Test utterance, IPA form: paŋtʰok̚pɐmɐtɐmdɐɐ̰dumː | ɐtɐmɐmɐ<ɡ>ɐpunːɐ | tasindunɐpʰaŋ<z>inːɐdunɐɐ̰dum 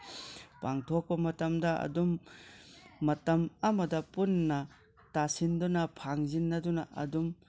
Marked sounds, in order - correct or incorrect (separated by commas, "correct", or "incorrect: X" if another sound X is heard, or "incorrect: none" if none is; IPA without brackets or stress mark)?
incorrect: d, correct